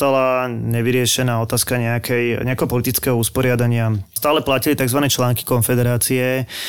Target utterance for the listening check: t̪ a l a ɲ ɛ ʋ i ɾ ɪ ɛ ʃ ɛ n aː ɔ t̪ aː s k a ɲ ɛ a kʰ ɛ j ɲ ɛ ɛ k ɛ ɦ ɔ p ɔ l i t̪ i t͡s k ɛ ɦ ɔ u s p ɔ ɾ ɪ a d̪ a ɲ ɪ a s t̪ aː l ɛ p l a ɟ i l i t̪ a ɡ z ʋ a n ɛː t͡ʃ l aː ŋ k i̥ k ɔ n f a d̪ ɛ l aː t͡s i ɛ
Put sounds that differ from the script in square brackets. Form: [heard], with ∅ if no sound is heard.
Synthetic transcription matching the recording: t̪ a l a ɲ ɛ ʋ i ɾ ɪ ɛ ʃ ɛ n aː ɔ t̪ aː s k a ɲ ɛ a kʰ ɛ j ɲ ɛ [a] k ɛ ɦ ɔ p ɔ l i t̪ i t͡s k ɛ ɦ ɔ u s p ɔ ɾ ɪ a d̪ a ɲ ɪ a s t̪ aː l ɛ p l a [c] i l i t̪ a ɡ z ʋ a n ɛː t͡ʃ l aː ŋ k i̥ k ɔ n f [ɛ] d̪ ɛ [ɾ] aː t͡s i ɛ